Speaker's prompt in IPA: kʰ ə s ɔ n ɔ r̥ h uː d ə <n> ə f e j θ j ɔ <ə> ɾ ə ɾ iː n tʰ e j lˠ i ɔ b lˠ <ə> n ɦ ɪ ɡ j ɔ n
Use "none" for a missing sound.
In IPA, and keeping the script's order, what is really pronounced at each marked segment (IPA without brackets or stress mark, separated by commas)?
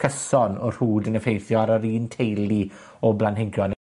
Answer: n, a, a